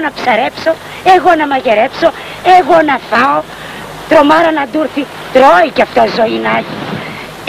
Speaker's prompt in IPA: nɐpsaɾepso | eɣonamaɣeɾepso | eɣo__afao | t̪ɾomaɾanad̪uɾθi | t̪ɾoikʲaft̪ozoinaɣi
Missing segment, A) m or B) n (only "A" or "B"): B